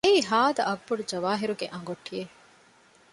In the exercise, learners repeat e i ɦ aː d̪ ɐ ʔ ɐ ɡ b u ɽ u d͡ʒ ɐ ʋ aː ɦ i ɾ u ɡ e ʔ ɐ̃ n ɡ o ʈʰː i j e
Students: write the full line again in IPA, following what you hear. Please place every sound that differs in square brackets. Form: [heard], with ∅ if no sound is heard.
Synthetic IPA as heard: e i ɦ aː d̪ ɐ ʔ ɐ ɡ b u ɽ u d͡ʒ ɐ ʋ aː ɦ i ɾ u ɡ e ʔ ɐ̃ [ŋ] ɡ o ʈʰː i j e